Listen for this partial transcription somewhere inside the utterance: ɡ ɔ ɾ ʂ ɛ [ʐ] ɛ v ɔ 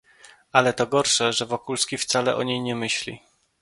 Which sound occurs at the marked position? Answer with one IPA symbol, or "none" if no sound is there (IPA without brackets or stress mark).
ʐ